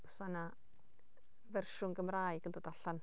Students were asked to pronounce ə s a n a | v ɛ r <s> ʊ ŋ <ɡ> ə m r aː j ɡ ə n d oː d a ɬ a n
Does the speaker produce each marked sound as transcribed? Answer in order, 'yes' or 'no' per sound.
no, yes

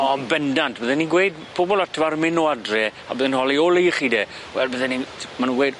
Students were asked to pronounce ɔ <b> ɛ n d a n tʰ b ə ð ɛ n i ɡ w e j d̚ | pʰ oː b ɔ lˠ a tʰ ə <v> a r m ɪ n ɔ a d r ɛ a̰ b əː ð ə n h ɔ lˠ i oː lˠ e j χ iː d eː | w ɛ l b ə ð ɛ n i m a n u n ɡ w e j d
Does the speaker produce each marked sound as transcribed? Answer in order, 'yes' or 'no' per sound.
yes, yes

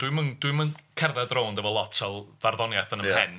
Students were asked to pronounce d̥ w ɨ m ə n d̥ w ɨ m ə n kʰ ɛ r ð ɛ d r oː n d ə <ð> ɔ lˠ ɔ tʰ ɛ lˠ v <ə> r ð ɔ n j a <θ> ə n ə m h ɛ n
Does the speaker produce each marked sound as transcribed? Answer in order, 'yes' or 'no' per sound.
no, no, yes

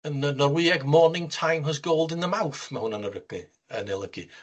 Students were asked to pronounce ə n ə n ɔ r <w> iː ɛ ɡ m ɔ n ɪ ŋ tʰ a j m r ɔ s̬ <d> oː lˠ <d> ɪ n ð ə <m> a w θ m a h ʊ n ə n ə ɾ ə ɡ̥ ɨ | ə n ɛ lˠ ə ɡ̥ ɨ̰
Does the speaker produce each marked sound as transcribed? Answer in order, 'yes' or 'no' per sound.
yes, no, yes, yes

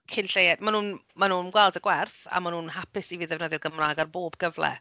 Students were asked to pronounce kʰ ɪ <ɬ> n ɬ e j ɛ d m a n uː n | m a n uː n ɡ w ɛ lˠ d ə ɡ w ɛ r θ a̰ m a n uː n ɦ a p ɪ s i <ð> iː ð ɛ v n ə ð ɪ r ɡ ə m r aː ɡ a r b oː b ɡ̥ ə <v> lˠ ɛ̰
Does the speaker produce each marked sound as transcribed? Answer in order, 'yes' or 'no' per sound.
no, no, yes

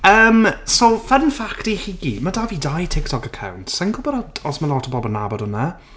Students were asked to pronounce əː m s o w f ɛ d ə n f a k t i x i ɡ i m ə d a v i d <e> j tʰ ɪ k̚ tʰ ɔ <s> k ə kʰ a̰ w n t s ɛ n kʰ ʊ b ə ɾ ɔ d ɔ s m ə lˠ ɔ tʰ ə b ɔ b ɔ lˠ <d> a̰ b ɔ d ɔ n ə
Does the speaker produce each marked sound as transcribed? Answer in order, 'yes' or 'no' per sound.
no, no, no

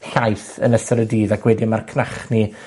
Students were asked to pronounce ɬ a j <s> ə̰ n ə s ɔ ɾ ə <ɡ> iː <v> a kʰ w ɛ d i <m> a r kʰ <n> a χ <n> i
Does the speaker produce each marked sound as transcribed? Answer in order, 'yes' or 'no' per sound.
no, no, no, yes, yes, yes

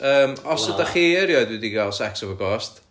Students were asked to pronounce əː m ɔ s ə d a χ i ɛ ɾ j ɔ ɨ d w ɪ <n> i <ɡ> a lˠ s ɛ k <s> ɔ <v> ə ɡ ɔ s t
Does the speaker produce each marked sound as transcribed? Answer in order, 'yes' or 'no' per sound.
no, yes, yes, yes

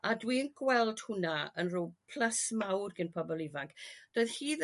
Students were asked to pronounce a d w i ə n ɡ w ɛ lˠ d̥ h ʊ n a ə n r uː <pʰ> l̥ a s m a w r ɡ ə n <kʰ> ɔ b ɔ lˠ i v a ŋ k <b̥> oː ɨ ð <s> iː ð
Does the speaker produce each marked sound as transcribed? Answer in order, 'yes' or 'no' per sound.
yes, no, no, no

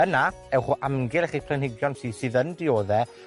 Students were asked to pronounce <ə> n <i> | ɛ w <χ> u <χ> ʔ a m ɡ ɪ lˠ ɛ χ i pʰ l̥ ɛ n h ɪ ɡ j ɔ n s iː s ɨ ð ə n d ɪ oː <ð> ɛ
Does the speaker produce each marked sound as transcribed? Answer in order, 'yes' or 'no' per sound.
yes, no, yes, no, yes

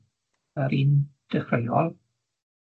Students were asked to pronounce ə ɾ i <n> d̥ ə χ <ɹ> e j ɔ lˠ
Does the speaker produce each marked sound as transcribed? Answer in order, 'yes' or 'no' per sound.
yes, no

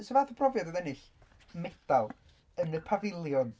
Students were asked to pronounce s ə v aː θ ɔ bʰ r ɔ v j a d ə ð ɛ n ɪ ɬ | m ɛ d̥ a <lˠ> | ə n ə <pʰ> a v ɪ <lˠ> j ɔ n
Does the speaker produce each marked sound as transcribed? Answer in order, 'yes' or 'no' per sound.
yes, yes, yes

